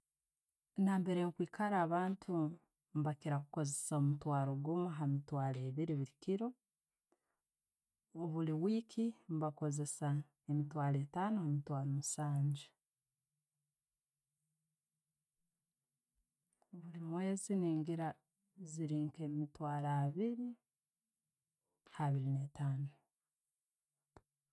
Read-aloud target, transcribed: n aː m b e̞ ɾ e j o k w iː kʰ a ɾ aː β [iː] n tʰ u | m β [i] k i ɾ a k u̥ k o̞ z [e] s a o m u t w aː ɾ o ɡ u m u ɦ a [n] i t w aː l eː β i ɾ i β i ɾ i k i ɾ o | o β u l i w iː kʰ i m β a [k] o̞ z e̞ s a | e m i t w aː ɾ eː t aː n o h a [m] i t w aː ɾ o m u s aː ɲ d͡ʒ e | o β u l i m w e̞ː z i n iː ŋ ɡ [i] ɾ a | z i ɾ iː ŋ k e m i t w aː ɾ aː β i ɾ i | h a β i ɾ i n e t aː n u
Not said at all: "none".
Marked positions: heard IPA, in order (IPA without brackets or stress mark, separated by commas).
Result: aː, a, e, m, k, m, i